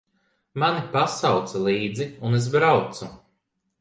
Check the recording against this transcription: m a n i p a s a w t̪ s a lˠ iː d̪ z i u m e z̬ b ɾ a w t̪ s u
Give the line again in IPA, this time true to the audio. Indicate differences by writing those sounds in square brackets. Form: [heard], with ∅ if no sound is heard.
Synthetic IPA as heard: m a n i p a s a w t̪ s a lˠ iː d̪ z i u [n] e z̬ b ɾ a w t̪ s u